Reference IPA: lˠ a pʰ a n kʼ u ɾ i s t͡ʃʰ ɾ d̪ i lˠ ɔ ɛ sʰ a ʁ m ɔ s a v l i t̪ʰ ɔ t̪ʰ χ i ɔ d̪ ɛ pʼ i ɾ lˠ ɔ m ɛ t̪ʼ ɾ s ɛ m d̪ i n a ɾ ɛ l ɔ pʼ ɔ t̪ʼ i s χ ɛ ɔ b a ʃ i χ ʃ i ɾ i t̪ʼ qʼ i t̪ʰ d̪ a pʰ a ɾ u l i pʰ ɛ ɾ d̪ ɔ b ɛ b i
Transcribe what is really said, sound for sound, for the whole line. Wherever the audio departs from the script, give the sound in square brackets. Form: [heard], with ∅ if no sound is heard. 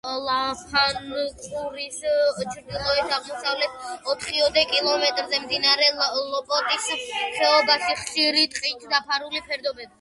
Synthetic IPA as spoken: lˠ a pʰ a n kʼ u ɾ i s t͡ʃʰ ɾ d̪ i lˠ ɔ ɛ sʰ a ʁ m ɔ s a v l [ɛ] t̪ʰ ɔ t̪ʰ χ i ɔ d̪ ɛ [kʼ] i [∅] lˠ ɔ m ɛ t̪ʼ ɾ [z] ɛ m d̪ i n a ɾ ɛ l ɔ pʼ ɔ t̪ʼ i s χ ɛ ɔ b a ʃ i χ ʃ i ɾ i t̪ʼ qʼ i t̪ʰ d̪ a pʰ a ɾ u l i pʰ ɛ ɾ d̪ ɔ b ɛ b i

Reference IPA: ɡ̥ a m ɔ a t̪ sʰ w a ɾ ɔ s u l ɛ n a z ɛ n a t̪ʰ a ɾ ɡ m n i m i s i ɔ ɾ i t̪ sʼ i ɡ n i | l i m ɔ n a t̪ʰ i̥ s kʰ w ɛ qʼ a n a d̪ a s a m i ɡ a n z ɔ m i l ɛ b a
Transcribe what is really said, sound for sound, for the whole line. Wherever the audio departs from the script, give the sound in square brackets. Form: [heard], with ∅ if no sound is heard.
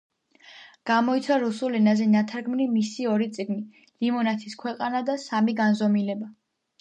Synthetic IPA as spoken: ɡ̥ a m ɔ [i] t̪ sʰ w a ɾ [u] s u l ɛ n a z ɛ n a t̪ʰ a ɾ ɡ m n i m i s i ɔ ɾ i t̪ sʼ i ɡ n i | l i m ɔ n a t̪ʰ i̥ s kʰ w ɛ qʼ a n a d̪ a s a m i ɡ a n z ɔ m i l ɛ b a

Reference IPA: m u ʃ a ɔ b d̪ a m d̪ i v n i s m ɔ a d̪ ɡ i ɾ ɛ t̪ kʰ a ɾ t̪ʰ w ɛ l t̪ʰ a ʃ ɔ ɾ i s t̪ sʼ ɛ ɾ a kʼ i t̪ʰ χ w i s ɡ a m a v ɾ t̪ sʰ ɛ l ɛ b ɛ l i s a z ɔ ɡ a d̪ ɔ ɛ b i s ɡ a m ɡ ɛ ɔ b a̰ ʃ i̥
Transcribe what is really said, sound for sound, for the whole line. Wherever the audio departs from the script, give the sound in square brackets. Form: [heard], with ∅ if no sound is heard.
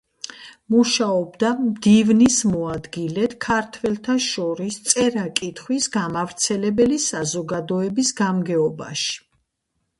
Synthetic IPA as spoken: m u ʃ a ɔ b d̪ a m d̪ i v n i s m ɔ a d̪ ɡ i [l] ɛ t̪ kʰ a ɾ t̪ʰ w ɛ l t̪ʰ a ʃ ɔ ɾ i s t̪ sʼ ɛ ɾ a kʼ i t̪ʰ χ w i s ɡ a m a v ɾ t̪ sʰ ɛ l ɛ b ɛ l i s a z ɔ ɡ a d̪ ɔ ɛ b i s ɡ a m ɡ ɛ ɔ b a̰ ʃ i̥

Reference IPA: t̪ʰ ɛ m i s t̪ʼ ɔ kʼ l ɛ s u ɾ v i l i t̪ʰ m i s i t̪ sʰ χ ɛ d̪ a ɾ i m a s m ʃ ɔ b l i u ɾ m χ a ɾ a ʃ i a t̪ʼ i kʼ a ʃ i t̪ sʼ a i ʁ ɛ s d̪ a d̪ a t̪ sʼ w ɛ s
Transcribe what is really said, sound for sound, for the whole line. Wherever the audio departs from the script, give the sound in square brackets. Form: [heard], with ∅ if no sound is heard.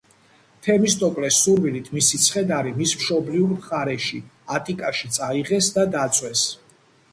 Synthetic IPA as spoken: t̪ʰ ɛ m i s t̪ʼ ɔ kʼ l ɛ s u ɾ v i l i t̪ʰ m i s i t̪ sʰ χ ɛ d̪ a ɾ i m [i] s m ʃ ɔ b l i u ɾ m χ a ɾ [ɛ] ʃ i a t̪ʼ i kʼ a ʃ i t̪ sʼ a i ʁ ɛ s d̪ a d̪ a t̪ sʼ w ɛ s

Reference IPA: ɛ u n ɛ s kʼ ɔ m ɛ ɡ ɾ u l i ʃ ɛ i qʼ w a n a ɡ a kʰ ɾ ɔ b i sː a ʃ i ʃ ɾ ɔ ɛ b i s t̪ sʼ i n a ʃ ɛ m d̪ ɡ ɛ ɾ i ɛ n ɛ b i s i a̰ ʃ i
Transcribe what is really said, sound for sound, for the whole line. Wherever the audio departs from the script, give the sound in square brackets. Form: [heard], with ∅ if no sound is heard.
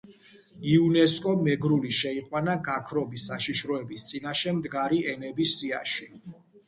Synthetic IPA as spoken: [i] u n ɛ s kʼ ɔ m ɛ ɡ ɾ u l i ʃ ɛ i qʼ w a n a ɡ a kʰ ɾ ɔ b i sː a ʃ i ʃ ɾ ɔ ɛ b i s t̪ sʼ i n a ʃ ɛ m d̪ ɡ [a] ɾ i ɛ n ɛ b i s i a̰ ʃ i

